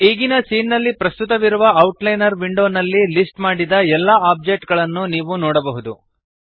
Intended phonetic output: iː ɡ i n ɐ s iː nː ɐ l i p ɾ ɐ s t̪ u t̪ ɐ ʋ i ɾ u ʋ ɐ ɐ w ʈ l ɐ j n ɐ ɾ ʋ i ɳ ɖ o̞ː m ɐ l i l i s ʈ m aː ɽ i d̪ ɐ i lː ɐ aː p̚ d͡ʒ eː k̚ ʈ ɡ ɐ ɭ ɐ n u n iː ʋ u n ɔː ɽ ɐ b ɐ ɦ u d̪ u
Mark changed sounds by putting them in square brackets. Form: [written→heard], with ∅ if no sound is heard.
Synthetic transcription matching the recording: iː ɡ i n ɐ s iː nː ɐ [l→lː] i p ɾ ɐ s t̪ u t̪ ɐ ʋ i ɾ u ʋ ɐ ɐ w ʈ l ɐ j n ɐ ɾ ʋ i ɳ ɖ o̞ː [m→n] ɐ [l→lː] i l i s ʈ m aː ɽ i d̪ ɐ [i→ɛ] lː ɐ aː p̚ d͡ʒ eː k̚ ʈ ɡ ɐ ɭ ɐ [n→nː] u n iː ʋ u n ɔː ɽ ɐ b ɐ ɦ u d̪ u